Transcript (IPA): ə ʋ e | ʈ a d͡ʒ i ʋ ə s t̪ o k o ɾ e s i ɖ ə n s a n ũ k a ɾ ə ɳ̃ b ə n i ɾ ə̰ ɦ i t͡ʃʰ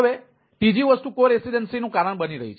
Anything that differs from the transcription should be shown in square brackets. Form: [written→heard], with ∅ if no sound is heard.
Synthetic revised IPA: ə ʋ e | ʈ [a→i] d͡ʒ i ʋ ə s t̪ [o→u] k o ɾ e s i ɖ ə n s [a→i] n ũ k a ɾ ə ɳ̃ b ə n i ɾ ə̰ ɦ i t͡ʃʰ